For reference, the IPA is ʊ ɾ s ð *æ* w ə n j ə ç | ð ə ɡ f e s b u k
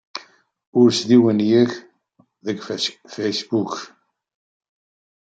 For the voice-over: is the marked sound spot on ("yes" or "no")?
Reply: no